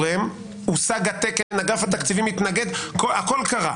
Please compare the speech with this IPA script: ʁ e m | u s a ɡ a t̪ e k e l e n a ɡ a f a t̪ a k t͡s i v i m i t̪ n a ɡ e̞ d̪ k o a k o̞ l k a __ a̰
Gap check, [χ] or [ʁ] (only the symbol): ʁ